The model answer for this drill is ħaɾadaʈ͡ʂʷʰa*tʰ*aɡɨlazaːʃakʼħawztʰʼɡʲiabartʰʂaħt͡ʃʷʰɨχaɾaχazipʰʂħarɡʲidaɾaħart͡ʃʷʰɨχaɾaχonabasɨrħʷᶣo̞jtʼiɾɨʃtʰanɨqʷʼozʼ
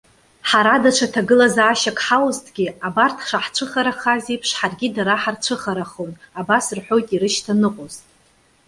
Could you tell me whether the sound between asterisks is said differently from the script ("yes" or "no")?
no